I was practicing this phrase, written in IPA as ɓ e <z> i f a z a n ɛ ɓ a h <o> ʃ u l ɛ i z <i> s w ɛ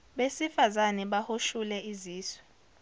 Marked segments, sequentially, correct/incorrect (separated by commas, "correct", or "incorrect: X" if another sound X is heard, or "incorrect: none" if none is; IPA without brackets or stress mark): incorrect: s, correct, incorrect: iː